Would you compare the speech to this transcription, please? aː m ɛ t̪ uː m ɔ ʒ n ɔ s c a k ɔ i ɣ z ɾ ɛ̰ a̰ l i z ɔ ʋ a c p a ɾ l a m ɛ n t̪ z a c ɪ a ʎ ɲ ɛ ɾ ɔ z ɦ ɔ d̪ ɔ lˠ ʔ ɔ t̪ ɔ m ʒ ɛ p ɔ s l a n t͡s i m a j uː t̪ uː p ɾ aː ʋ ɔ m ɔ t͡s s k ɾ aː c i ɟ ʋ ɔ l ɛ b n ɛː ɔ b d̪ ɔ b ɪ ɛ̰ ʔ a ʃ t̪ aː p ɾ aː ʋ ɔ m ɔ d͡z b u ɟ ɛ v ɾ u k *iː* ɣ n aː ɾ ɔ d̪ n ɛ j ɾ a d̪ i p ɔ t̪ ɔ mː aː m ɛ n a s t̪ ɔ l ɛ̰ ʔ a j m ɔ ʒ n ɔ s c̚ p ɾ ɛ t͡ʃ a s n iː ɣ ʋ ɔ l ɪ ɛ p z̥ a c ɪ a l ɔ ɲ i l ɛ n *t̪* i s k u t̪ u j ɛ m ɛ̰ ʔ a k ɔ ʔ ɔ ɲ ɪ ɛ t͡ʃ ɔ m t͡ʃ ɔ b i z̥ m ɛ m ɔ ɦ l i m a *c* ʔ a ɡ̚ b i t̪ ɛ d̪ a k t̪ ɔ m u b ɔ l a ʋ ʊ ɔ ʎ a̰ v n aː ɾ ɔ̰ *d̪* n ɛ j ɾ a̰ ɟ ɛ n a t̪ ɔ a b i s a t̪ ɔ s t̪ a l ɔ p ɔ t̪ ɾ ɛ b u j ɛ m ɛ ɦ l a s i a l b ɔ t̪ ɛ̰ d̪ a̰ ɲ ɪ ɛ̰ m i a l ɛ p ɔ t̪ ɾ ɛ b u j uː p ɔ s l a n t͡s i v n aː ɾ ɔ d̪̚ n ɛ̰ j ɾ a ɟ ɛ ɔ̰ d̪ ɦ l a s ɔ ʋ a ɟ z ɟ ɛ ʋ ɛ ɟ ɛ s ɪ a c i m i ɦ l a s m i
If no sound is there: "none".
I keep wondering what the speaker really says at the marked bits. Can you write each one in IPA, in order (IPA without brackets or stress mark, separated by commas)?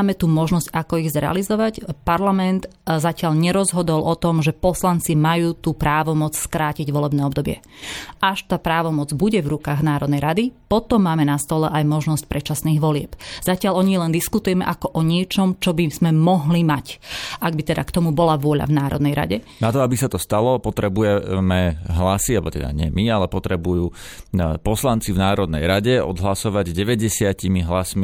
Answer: aː, d̪, c, d̪